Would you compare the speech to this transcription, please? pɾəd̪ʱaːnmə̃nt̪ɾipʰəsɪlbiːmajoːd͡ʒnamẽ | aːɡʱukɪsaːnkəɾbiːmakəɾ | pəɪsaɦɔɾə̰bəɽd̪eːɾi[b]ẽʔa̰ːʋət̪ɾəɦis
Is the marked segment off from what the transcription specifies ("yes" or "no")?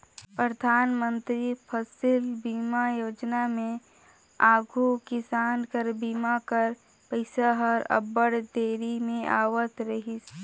yes